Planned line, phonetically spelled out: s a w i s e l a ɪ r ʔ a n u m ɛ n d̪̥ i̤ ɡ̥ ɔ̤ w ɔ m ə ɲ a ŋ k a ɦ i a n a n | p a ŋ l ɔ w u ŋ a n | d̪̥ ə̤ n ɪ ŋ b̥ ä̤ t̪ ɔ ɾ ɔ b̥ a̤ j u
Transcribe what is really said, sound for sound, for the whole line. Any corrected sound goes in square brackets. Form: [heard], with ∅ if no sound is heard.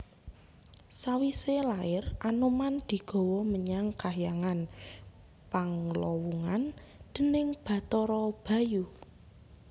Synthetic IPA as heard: s a w i s e l a ɪ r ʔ a n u m [a] n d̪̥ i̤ ɡ̥ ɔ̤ w ɔ m ə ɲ a ŋ k a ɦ [j] a [ŋ] a n | p a ŋ l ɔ w u ŋ a n | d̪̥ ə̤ n ɪ ŋ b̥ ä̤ t̪ ɔ ɾ ɔ b̥ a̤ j u